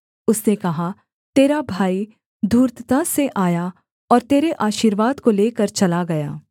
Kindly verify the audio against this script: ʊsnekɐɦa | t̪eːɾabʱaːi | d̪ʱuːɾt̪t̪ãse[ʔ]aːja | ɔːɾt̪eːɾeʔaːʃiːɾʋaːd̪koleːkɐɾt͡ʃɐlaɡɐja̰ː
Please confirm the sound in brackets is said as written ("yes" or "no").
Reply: yes